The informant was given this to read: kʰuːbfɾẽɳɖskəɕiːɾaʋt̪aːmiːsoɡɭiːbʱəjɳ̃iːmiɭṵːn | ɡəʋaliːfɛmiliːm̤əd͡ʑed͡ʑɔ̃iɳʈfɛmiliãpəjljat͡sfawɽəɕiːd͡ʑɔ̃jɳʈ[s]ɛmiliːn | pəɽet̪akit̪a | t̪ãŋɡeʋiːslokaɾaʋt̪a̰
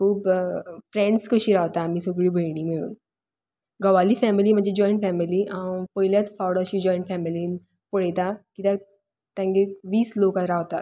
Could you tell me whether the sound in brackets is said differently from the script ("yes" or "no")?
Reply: yes